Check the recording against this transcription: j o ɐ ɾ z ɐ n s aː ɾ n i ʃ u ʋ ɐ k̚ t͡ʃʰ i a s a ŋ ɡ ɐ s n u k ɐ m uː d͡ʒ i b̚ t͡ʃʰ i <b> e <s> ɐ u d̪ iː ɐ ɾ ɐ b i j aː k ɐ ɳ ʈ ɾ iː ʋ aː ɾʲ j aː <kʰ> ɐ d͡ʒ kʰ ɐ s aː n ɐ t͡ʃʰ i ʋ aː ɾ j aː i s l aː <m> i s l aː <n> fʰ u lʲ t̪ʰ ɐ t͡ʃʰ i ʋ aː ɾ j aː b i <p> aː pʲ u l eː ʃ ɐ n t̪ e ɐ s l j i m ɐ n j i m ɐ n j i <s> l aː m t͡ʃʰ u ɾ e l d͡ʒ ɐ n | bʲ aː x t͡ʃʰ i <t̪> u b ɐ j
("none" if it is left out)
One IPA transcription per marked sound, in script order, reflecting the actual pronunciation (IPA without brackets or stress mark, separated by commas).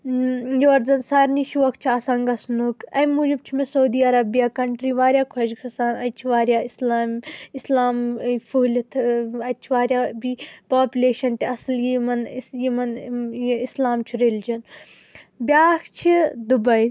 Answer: m, s, kʰ, m, m, p, s, d̪